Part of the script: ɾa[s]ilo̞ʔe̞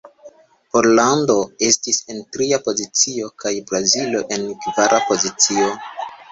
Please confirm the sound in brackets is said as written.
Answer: no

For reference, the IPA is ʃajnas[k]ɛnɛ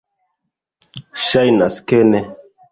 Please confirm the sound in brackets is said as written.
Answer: yes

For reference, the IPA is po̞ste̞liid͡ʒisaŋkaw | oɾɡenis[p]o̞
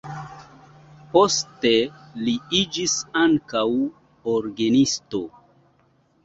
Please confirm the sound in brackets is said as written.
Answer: no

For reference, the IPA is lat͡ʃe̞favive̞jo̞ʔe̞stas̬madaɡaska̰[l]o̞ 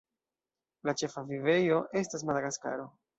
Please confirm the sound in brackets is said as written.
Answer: no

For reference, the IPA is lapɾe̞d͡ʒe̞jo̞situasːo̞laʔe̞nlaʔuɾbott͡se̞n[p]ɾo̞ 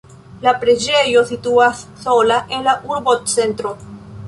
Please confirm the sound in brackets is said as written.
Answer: no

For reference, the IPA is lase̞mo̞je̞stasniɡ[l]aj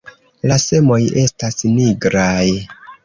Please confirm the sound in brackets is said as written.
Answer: no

